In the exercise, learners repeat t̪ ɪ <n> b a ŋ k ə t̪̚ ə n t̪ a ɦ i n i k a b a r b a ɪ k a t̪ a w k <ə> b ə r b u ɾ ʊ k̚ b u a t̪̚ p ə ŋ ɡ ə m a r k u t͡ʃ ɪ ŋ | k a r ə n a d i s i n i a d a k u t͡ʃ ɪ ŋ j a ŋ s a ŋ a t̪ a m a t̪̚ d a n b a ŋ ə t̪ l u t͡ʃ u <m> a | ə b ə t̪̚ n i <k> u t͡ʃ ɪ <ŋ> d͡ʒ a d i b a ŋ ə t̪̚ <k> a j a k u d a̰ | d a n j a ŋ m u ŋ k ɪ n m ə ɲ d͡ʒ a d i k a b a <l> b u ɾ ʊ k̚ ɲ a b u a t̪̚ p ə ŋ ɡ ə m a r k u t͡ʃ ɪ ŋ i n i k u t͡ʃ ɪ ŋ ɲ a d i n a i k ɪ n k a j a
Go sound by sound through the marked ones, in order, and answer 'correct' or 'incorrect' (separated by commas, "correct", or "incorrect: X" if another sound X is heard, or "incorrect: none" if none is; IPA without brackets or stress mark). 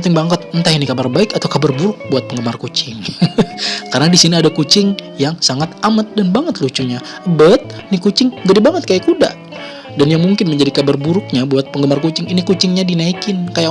incorrect: ŋ, incorrect: a, incorrect: ɲ, correct, correct, correct, incorrect: r